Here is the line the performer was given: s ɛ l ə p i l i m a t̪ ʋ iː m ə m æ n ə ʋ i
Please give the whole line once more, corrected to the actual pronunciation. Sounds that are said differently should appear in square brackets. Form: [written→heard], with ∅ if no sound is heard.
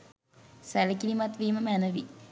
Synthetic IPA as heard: s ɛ l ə [p→k] i l i m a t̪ ʋ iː m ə m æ n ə ʋ i